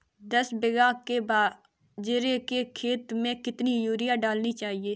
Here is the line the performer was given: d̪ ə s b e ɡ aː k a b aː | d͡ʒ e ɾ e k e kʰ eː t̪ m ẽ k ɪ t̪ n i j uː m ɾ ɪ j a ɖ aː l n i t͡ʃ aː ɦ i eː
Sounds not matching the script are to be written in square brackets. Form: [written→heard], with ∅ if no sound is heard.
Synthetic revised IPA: d̪ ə s b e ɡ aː k [a→e] b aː | d͡ʒ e ɾ e k e kʰ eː t̪ m ẽ k ɪ t̪ n i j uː [m→∅] ɾ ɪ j a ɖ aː l n i t͡ʃ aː ɦ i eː